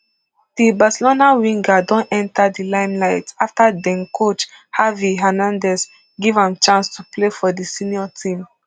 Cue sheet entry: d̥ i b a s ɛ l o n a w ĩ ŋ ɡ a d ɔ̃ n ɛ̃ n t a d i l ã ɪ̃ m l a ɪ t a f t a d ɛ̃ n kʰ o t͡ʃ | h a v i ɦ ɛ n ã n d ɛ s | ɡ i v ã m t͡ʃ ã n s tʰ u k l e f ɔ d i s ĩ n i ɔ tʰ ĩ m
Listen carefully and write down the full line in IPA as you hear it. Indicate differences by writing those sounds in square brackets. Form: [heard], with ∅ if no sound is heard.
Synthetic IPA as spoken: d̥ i b a s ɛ l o n a w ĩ ŋ ɡ a d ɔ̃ n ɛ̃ n t a d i l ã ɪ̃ m l a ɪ t a f t a d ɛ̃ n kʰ o t͡ʃ | h a v i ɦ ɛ n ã n d ɛ s | ɡ i v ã m t͡ʃ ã n s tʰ u [p] l e f ɔ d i s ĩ n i ɔ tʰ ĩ m